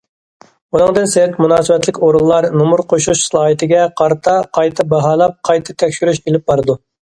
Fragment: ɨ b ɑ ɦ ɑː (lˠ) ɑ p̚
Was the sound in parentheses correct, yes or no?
yes